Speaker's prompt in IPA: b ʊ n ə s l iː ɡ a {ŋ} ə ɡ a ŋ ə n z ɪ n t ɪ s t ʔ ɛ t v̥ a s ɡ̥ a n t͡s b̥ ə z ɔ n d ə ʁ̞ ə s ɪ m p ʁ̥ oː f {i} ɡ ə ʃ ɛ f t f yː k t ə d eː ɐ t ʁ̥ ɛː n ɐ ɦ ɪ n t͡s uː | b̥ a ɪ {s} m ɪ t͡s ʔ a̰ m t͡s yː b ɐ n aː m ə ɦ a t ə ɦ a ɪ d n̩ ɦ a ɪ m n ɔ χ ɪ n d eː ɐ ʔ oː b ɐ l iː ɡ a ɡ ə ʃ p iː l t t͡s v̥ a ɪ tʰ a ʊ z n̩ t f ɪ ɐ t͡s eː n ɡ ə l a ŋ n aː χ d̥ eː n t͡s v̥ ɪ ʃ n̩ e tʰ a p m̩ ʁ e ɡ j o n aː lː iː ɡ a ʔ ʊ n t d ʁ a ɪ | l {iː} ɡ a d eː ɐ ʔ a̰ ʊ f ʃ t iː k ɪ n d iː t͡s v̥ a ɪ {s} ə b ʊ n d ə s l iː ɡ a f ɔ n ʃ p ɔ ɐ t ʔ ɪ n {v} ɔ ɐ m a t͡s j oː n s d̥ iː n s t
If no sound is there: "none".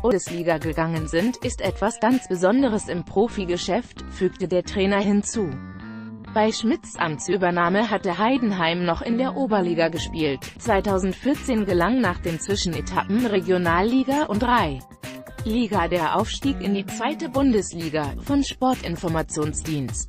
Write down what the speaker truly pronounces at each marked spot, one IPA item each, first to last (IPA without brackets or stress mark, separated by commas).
ɡ, i, ʃ, iː, t, f